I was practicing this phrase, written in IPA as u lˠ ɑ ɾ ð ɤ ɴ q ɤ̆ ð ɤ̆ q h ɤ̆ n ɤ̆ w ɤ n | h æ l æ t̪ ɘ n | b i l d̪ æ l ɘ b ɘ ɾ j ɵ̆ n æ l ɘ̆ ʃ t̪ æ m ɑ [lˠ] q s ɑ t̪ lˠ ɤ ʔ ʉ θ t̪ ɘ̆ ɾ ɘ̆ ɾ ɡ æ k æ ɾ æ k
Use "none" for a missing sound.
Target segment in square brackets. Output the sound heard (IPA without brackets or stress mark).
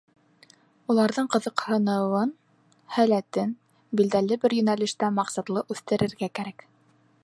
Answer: none